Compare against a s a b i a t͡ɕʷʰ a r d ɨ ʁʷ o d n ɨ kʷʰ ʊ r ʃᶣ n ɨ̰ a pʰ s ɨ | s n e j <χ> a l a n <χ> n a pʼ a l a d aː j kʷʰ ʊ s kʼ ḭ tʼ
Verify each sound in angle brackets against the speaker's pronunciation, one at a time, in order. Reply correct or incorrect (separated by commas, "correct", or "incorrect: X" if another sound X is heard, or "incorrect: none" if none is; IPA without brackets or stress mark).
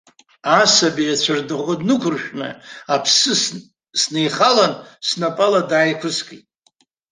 correct, incorrect: s